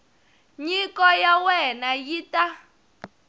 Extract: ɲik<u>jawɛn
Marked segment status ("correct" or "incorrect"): incorrect